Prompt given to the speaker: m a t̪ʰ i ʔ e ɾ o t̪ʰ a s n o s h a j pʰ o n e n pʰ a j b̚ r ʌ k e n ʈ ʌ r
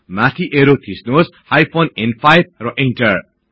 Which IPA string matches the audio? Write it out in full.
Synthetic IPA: m a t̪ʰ i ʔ e ɾ o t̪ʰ i s n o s h a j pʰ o n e n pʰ a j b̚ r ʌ ʔ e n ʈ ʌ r